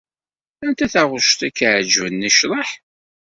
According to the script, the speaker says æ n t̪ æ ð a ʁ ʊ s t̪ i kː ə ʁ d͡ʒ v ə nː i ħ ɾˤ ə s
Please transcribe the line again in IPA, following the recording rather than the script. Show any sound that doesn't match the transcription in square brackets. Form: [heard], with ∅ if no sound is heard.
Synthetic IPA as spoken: æ n t̪ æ [θ] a ʁ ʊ [ʃ] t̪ [æ] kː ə [ʕ] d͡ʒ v ə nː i [ʃ] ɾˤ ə [ħ]